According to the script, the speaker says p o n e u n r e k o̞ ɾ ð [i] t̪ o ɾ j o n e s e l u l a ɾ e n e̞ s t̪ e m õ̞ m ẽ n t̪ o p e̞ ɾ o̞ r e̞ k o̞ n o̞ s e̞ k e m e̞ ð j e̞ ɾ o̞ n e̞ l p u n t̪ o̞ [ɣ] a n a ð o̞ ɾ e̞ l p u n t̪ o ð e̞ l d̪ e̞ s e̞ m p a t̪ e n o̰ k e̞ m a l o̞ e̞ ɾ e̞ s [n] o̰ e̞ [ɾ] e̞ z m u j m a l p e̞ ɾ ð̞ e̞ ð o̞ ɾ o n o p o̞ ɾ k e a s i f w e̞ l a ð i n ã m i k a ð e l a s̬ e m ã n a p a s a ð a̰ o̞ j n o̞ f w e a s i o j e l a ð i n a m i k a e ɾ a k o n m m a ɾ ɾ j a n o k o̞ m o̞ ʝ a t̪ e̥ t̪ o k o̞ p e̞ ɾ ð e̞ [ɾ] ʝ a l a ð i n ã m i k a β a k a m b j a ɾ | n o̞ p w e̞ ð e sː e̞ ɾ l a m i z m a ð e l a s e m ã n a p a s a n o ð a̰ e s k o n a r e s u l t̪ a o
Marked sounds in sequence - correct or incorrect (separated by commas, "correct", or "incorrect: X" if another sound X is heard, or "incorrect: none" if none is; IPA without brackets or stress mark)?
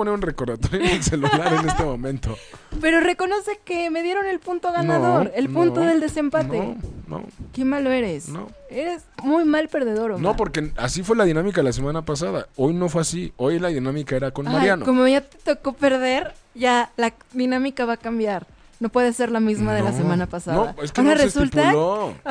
incorrect: a, correct, correct, correct, correct